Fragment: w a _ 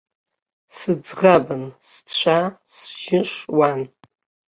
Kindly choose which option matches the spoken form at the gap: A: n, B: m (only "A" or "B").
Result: A